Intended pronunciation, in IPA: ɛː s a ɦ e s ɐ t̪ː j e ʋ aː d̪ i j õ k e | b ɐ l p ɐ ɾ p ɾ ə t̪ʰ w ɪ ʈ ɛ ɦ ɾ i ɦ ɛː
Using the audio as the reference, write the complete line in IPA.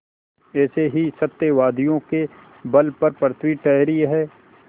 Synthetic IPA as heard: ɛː s e ɦ i s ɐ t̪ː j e ʋ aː d̪ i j õ k e | b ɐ l p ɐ ɾ p ɾ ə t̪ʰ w i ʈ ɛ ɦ ɾ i ɦ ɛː